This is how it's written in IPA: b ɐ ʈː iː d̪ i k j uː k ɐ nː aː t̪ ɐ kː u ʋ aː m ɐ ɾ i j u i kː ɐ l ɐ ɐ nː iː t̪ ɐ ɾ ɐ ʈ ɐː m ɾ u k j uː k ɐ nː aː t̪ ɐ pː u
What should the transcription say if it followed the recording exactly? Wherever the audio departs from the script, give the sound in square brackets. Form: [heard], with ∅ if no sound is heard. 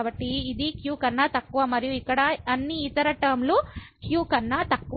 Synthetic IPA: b ɐ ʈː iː d̪ i k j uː k ɐ nː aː t̪ ɐ kː u ʋ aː m ɐ ɾ i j u i kː ɐ [ɽ] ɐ ɐ nː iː t̪ ɐ ɾ ɐ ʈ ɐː m [l] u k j uː k ɐ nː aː t̪ ɐ [kː] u